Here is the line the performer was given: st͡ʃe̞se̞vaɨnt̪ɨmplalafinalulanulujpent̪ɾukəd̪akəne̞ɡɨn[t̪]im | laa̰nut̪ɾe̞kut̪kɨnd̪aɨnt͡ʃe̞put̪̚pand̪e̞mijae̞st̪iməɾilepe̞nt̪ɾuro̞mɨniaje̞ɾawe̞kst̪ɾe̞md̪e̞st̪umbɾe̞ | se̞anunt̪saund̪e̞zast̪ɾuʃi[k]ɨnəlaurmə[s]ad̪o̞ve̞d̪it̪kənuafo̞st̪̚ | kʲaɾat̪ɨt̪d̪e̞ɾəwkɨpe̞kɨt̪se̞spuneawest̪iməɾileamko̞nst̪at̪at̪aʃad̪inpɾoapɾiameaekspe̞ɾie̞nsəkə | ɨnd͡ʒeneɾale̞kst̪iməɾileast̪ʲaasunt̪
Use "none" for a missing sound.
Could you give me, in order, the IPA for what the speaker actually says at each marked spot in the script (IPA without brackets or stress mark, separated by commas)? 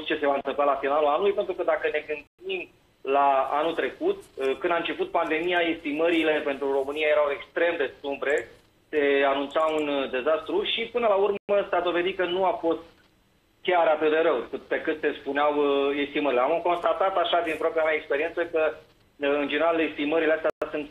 d̪, p, s